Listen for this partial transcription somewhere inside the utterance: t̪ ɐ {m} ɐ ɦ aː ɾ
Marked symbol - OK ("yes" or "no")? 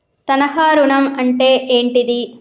no